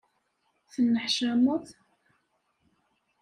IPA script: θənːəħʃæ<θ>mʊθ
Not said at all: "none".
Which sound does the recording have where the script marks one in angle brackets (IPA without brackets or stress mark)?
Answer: none